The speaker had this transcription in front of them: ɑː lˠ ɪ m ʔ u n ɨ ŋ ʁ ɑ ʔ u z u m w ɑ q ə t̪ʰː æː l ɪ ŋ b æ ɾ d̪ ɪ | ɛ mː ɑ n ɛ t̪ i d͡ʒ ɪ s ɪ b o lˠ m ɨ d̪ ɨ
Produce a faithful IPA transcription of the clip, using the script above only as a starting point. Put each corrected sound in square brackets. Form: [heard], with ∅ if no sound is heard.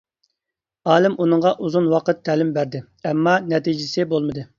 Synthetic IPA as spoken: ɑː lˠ ɪ m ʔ u n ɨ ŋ ʁ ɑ ʔ u z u [n] w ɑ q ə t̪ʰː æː l ɪ [m] b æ ɾ d̪ ɪ | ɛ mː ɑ n ɛ t̪ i d͡ʒ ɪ s ɪ b o lˠ m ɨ d̪ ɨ